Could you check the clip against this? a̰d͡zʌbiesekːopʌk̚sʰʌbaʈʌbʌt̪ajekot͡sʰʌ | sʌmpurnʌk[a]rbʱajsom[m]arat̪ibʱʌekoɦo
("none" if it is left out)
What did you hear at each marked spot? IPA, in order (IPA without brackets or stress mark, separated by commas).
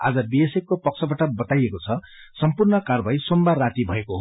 a, b